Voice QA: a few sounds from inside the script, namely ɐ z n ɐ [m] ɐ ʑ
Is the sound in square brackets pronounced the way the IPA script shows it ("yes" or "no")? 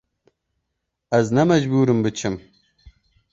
yes